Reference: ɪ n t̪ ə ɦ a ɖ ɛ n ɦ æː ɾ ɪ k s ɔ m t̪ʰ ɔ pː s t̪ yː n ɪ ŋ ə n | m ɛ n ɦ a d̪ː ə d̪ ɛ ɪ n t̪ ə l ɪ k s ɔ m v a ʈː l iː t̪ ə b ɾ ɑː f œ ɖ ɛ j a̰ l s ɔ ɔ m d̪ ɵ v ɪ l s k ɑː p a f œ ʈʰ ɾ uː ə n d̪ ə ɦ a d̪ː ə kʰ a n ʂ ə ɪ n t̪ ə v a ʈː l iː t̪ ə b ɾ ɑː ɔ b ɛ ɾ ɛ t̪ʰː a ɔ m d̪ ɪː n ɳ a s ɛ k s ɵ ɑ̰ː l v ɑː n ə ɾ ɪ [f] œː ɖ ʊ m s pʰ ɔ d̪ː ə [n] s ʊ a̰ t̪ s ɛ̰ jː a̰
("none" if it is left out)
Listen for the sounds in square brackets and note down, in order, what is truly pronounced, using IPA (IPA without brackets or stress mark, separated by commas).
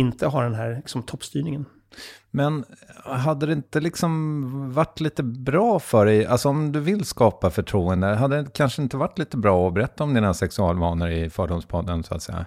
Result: f, n